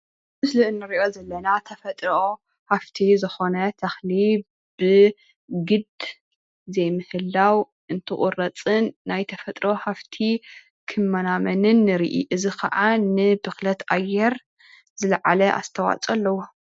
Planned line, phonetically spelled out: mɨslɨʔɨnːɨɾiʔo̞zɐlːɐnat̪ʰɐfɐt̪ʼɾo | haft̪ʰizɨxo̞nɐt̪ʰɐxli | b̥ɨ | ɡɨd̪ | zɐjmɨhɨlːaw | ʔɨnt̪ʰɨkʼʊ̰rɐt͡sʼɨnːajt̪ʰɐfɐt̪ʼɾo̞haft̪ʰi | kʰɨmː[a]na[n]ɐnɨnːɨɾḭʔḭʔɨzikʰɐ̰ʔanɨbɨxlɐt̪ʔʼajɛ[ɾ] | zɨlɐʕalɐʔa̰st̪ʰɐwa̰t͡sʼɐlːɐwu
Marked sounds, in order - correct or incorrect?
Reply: incorrect, incorrect, correct

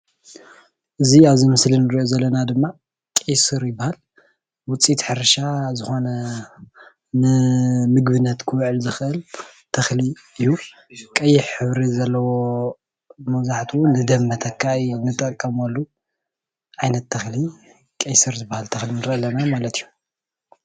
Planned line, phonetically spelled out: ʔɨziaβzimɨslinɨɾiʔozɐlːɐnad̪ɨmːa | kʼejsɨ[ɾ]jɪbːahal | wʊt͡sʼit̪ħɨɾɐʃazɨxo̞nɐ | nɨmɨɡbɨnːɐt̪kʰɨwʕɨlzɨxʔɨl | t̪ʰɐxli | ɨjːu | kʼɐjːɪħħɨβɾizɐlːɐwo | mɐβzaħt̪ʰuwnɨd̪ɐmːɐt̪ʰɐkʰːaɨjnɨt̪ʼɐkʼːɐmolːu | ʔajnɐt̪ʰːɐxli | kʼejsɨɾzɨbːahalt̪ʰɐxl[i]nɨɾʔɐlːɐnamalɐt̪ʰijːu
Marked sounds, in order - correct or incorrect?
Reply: correct, correct

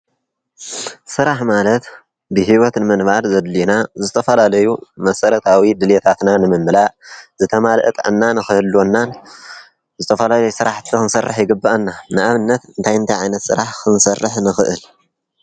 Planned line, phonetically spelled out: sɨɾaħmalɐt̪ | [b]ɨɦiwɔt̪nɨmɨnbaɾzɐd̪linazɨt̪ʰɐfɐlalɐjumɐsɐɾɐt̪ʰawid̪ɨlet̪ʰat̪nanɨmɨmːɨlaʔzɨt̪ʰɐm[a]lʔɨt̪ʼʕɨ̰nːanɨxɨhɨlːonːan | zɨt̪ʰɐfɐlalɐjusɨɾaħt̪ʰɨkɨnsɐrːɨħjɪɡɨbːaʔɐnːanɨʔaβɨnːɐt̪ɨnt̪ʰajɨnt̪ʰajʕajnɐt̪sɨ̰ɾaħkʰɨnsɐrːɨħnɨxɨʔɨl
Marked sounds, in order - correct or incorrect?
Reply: correct, correct

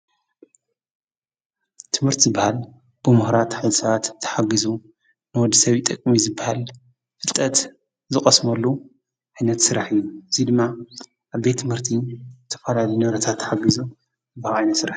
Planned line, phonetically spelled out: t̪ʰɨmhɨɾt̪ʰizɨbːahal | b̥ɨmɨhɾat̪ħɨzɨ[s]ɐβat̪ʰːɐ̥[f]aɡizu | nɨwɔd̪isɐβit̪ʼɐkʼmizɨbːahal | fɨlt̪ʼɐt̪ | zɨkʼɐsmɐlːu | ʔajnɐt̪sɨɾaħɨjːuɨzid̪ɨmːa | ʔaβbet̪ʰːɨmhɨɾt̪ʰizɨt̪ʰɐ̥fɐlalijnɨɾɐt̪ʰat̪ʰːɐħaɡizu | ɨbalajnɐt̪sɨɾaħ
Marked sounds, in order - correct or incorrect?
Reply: correct, incorrect

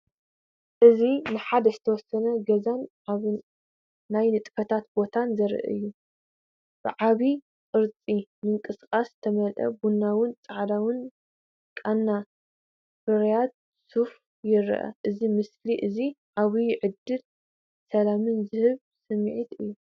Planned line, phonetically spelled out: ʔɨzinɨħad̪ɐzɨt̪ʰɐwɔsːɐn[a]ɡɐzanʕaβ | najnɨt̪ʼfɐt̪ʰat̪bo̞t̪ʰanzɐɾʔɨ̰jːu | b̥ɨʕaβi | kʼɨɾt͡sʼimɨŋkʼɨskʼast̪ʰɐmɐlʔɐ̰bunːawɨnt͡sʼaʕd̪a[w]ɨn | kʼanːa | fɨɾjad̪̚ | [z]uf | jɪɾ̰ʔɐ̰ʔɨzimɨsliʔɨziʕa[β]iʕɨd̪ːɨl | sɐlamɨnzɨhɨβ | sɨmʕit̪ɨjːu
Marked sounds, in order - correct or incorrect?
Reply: incorrect, correct, incorrect, correct

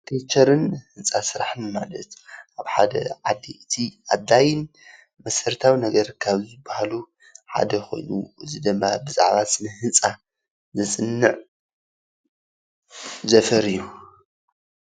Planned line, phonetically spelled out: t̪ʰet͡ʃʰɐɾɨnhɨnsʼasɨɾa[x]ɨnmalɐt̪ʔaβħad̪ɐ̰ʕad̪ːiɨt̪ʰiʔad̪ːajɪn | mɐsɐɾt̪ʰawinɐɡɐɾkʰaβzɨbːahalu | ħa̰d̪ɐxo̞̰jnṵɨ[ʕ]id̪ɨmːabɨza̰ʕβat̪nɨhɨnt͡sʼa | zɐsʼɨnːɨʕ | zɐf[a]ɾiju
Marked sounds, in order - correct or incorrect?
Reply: incorrect, incorrect, incorrect

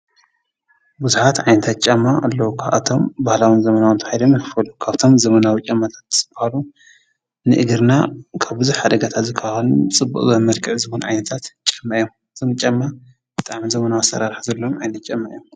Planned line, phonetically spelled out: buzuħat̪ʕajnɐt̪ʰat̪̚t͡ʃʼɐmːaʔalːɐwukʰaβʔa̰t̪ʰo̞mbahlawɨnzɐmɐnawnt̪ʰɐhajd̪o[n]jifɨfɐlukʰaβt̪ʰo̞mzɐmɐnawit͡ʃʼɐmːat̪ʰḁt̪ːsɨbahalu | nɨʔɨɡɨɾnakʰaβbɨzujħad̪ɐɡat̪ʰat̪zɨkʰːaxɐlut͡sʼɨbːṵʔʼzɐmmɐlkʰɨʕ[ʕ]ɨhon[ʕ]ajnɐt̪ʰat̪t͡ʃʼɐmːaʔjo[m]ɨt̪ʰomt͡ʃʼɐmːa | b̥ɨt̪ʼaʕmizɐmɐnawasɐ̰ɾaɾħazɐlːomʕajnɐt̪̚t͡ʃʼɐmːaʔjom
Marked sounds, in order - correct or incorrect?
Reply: incorrect, incorrect, correct, correct

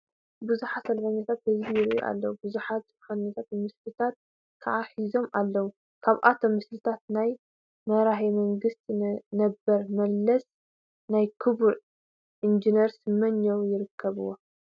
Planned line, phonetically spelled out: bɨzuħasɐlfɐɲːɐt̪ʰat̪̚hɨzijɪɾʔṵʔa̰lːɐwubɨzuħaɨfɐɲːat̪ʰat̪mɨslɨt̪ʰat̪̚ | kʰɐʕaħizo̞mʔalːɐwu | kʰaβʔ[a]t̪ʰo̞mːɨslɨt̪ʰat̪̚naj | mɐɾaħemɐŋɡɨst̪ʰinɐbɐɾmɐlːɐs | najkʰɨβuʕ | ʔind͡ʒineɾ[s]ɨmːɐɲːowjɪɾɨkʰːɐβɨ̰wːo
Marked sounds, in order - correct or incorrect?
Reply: correct, correct

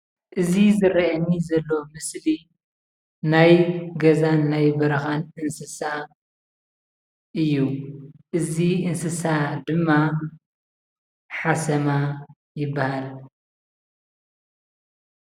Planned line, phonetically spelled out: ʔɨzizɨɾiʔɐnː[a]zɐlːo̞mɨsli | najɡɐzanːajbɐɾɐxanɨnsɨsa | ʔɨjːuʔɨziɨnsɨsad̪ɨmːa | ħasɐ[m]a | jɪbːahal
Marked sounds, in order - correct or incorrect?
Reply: incorrect, correct

